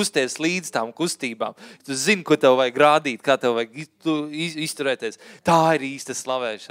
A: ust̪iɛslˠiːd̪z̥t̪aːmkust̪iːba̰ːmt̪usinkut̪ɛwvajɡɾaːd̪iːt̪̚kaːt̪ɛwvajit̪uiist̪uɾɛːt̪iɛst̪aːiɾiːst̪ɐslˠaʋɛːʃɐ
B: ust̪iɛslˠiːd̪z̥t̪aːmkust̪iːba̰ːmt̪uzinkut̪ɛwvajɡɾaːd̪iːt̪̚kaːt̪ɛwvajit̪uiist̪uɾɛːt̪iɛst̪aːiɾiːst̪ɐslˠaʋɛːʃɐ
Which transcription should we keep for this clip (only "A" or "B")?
B